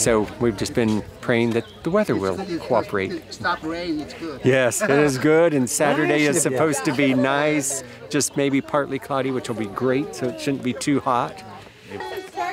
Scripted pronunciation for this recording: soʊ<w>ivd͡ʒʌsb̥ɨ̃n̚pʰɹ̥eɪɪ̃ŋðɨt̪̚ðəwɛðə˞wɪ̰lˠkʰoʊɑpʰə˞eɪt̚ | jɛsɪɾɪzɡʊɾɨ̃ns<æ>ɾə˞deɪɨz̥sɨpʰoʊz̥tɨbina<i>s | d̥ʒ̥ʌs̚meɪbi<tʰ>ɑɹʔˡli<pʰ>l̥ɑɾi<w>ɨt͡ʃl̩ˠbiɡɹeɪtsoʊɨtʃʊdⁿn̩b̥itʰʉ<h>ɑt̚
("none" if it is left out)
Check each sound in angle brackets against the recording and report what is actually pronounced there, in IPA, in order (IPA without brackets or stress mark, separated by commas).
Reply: w, æ, ɪ, pʰ, kʰ, w, h